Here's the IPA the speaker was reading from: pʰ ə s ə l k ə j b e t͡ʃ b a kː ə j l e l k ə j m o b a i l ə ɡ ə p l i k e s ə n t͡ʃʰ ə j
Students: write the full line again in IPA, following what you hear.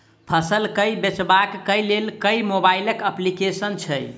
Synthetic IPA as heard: pʰ ə s ə l k ə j b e t͡ʃ b a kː ə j l e l k ə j m o b a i l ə k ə p l i k e s ə n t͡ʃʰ ə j